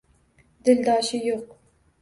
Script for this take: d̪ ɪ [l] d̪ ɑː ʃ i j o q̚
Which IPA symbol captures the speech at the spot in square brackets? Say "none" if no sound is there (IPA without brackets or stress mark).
l